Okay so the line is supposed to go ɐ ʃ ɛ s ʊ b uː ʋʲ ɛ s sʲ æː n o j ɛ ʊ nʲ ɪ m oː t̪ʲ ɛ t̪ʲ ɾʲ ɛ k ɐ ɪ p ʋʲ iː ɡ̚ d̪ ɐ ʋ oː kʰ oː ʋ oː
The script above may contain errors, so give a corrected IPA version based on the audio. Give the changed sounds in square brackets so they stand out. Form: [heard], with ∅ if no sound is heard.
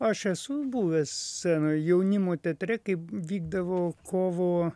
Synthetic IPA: ɐ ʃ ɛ s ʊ b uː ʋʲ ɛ s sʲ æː n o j ɛ ʊ nʲ ɪ m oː t̪ʲ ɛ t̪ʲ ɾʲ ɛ k ɐ ɪ p ʋʲ iː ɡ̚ d̪ ɐ ʋ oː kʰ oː ʋ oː